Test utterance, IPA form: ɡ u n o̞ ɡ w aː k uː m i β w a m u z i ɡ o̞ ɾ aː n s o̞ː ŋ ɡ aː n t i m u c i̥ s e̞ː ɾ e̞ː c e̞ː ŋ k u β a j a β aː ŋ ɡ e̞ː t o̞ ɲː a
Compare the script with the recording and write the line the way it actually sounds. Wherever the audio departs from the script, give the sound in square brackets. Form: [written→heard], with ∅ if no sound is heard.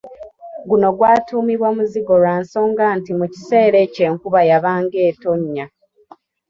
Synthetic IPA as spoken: ɡ u n o̞ ɡ w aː [k→t] uː m i β w a m u z i ɡ o̞ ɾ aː n s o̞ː ŋ ɡ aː n t i m u c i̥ s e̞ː ɾ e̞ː c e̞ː ŋ k u β a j a β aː ŋ ɡ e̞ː t o̞ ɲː a

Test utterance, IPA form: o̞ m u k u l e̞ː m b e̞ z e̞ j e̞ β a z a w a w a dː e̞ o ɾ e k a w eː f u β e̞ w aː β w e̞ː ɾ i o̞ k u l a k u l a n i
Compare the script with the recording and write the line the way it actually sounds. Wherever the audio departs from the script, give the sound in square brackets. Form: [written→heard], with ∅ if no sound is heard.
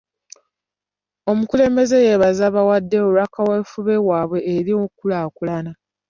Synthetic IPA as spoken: o̞ m u k u l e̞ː m b e̞ z e̞ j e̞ β a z a [w→β] a w a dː e̞ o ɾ [e→a] k a w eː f u β e̞ w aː β w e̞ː ɾ i o̞ k u l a k u l a n [i→a]

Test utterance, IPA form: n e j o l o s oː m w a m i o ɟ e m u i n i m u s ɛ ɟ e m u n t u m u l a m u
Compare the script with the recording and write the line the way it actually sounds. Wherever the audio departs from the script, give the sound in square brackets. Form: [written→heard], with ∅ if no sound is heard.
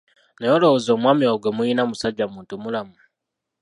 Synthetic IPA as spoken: n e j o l o [s→z] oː m w a m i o [ɟ→ɡ] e m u i n [i→a] m u s [ɛ→a] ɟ [e→a] m [u→uː] n t u m u l a m u

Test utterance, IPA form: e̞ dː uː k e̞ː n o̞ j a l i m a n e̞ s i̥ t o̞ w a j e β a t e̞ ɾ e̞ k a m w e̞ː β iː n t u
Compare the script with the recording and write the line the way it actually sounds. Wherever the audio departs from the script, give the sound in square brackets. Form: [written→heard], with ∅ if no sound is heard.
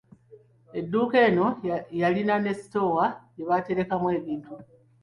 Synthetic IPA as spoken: e̞ dː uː k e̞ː n o̞ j a l i [m→n] a n e̞ s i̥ t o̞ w a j e β a t e̞ ɾ e̞ k a m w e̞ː β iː n t u

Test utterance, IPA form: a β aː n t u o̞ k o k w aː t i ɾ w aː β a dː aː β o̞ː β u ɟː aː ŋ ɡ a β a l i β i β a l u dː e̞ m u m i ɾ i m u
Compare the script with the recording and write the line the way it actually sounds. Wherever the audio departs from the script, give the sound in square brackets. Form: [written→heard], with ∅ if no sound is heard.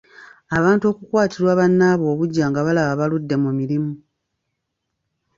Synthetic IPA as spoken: a β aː n t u o̞ k [o→u] k w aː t i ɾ w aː β a [dː→nː] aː β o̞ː β u ɟː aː ŋ ɡ a β a l [i→a] β [i→a] β a l u dː e̞ m u m i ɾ i m u

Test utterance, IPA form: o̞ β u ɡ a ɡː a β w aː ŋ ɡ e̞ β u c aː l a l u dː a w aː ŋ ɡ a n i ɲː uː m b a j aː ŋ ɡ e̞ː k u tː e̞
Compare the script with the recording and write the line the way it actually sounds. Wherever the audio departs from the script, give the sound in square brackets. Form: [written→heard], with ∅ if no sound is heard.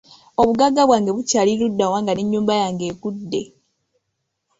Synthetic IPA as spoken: o̞ β u ɡ a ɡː a β w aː ŋ ɡ e̞ β u c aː l [a→i] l u dː a w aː ŋ ɡ a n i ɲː uː m b a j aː ŋ ɡ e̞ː k u [tː→dː] e̞

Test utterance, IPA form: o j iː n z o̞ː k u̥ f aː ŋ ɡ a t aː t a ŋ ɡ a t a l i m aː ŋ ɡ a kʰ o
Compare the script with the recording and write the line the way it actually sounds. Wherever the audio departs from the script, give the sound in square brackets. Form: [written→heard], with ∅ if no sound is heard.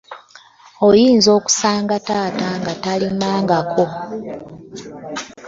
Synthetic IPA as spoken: o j iː n z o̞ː k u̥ [f→s] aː ŋ ɡ a t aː t a ŋ ɡ a t a l i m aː ŋ ɡ a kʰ o

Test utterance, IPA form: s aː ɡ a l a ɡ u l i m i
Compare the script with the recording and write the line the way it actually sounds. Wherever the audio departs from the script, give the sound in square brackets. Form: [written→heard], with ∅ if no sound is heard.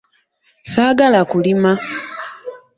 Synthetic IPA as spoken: s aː ɡ a l a [ɡ→k] u l i m [i→a]

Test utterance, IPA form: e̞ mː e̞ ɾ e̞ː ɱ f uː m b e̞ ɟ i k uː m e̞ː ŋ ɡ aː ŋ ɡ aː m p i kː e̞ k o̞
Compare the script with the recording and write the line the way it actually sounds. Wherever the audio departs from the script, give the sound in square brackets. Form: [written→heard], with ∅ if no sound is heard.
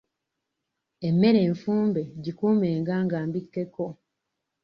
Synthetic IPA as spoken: e̞ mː e̞ ɾ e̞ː ɱ f uː m b e̞ ɟ i k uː m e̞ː ŋ ɡ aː ŋ ɡ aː m [p→b] i kː e̞ k o̞

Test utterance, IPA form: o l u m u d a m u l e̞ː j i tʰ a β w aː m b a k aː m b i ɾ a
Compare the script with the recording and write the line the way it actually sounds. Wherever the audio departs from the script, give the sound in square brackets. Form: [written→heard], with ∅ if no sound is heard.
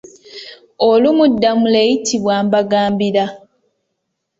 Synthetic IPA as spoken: o l u m u [d→dː] a m u l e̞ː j i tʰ [a→i] β w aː m b a [k→ɡ] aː m b i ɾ a

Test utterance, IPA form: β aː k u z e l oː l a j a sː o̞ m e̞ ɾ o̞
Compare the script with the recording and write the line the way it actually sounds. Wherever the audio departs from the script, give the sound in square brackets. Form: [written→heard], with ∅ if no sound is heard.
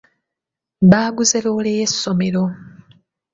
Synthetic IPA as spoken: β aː [k→ɡ] u z e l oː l [a→e] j [a→e] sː o̞ m e̞ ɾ o̞

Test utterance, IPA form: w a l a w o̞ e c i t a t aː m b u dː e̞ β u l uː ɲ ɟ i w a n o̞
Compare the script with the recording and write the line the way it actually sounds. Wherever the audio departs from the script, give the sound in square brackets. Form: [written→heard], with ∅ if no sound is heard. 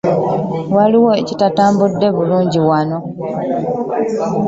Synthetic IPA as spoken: w a l [a→i] w o̞ e c i t a t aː m b u dː e̞ β u l uː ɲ ɟ i w a n o̞

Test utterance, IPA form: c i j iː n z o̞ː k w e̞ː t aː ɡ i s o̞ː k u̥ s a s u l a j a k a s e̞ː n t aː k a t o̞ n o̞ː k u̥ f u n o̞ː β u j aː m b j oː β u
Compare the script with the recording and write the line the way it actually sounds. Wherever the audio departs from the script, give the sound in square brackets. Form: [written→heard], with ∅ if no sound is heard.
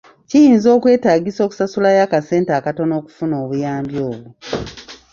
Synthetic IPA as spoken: c i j iː n z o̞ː k w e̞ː t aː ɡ i s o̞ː k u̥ s a s u l a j a k a s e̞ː n t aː k a t o̞ n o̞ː k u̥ f u n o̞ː β u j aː m b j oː β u

